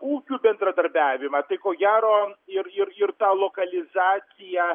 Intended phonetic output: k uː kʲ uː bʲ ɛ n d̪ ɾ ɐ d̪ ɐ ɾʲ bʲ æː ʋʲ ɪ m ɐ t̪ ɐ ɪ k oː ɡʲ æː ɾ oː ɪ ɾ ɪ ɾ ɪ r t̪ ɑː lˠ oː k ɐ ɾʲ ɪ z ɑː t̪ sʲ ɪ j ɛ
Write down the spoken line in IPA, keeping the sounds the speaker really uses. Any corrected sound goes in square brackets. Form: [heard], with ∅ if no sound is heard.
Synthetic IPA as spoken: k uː kʲ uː bʲ ɛ n d̪ ɾ ɐ d̪ ɐ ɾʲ bʲ æː ʋʲ ɪ m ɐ t̪ ɐ ɪ k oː ɡʲ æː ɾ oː ɪ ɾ ɪ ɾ ɪ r t̪ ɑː lˠ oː k ɐ [lʲ] ɪ z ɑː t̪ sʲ ɪ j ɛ